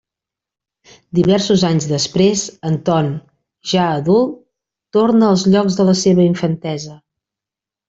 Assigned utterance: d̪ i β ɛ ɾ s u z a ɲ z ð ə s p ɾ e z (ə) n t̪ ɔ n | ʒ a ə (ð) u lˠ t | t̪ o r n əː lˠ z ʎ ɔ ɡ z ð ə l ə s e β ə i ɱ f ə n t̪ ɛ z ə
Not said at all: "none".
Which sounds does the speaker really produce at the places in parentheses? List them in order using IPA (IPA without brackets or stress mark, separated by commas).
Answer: ə, ð